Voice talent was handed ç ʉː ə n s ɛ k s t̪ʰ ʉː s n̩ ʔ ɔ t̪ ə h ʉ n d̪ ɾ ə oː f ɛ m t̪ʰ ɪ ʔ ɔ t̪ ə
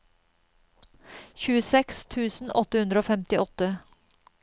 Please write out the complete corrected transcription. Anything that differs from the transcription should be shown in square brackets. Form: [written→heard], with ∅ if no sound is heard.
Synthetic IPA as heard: ç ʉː ə [n→∅] s ɛ k s t̪ʰ ʉː s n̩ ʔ ɔ t̪ ə h ʉ n d̪ ɾ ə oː f ɛ m [t̪ʰ→t̪] ɪ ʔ ɔ t̪ ə